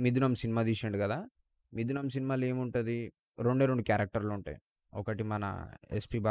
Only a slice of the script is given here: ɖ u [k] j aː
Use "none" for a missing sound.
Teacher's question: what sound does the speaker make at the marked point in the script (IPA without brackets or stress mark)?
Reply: k